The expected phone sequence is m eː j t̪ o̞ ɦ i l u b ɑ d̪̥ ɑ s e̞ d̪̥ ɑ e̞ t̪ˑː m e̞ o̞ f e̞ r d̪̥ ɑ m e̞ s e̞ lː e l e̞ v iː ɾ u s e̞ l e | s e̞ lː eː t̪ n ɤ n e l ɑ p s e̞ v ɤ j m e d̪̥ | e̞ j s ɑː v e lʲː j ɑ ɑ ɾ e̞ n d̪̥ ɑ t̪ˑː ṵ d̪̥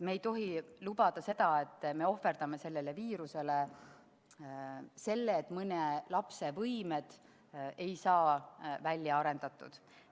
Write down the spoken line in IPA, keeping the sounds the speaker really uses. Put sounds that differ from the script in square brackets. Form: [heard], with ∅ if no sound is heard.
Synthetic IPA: m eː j t̪ o̞ ɦ i l u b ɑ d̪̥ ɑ s e̞ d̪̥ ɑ e̞ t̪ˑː m e̞ o̞ f e̞ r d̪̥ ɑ m e̞ s e̞ lː e l e̞ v iː ɾ u s e̞ l e | s e̞ lː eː t̪ [m] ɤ n e l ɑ p s e̞ v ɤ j m e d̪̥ | e̞ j s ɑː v [æ] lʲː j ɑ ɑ ɾ e̞ n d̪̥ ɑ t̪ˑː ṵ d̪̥